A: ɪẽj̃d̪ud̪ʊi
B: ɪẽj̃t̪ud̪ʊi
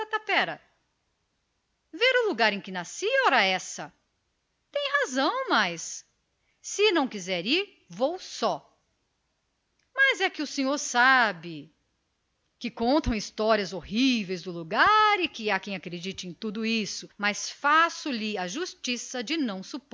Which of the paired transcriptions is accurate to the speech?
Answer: B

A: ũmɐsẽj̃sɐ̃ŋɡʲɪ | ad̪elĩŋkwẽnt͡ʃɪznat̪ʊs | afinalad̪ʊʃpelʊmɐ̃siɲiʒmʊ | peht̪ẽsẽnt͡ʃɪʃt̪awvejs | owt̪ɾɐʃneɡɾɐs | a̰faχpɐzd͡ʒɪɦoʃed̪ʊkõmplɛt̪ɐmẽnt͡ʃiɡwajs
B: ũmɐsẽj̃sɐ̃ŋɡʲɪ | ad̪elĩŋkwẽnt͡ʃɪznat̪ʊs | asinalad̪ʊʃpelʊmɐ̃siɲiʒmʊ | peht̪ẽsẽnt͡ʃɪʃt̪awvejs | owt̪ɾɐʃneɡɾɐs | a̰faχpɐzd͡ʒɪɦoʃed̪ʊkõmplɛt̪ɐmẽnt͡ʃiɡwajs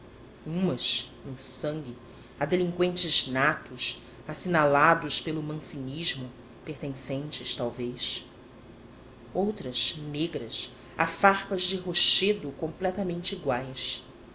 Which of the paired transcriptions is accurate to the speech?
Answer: B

